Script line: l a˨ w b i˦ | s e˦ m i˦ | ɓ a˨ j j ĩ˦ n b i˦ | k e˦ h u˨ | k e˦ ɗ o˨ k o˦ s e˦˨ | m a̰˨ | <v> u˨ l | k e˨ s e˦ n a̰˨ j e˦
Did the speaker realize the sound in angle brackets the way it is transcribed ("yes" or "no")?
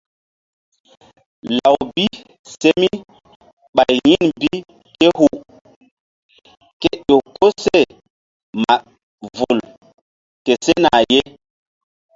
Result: yes